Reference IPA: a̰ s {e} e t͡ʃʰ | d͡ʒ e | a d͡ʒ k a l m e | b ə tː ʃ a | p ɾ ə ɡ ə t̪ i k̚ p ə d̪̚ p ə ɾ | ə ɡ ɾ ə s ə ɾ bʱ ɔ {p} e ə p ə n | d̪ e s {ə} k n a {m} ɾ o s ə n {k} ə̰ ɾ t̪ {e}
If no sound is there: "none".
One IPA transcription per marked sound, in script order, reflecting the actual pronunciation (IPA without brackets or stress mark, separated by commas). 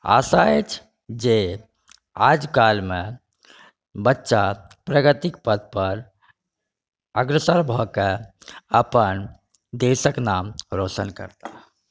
a, k, ə, m, k, a